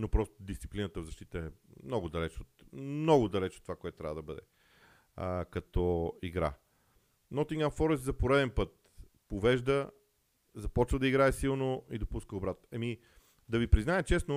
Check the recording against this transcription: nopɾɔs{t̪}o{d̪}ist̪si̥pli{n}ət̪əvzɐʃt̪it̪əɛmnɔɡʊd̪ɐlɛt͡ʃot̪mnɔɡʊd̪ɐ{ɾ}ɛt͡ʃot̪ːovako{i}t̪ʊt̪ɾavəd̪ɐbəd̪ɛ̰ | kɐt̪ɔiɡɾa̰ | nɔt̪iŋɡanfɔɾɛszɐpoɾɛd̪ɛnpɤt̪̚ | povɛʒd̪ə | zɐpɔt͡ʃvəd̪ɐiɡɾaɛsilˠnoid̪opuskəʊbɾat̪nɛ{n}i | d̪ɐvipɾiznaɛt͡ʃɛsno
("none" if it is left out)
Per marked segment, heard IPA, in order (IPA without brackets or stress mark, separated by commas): t̪, d̪, n, l, ɛ, m